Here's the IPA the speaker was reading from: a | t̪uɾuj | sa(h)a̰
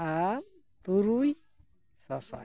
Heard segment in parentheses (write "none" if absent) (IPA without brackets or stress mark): s